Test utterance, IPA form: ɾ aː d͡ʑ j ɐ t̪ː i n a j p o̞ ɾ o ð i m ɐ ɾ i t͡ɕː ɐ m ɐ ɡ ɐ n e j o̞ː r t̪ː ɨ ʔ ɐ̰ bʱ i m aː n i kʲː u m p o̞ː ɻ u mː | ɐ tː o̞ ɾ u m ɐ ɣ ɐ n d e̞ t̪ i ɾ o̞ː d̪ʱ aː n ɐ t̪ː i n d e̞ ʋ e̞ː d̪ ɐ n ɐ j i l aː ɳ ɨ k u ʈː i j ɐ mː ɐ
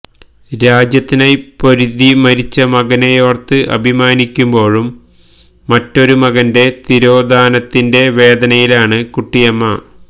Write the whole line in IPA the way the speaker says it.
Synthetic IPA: ɾ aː d͡ʑ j ɐ t̪ː i n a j p o̞ ɾ u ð i m ɐ ɾ i t͡ɕː ɐ m ɐ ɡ ɐ n e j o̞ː r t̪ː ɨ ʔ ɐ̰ bʱ i m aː n i kʲː u m b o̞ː ɻ u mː | ɐ tː o̞ ɾ u m ɐ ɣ ɐ n d e̞ t̪ i ɾ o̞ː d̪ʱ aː n ɐ t̪ː i n d e̞ ʋ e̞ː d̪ ɐ n ɐ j i l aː ɳ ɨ k u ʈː i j ɐ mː ɐ